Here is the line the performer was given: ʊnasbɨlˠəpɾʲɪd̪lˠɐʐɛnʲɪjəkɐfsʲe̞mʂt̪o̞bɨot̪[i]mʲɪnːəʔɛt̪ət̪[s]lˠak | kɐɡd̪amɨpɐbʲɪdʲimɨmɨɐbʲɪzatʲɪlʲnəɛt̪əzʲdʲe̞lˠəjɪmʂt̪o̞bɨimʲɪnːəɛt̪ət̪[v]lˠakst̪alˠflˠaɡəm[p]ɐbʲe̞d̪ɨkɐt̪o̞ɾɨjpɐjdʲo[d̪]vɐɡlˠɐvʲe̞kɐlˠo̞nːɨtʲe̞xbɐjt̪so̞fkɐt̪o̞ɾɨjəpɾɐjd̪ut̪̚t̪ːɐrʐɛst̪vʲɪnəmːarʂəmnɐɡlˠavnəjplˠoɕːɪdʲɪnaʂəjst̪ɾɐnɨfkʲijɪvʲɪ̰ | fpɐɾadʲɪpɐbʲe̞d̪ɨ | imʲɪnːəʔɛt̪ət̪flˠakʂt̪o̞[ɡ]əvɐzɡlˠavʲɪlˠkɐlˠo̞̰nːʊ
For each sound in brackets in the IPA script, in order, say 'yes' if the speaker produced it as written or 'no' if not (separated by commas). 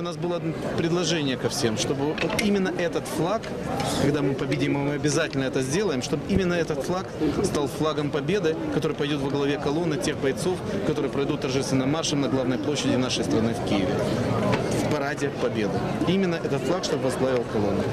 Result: yes, no, no, yes, no, no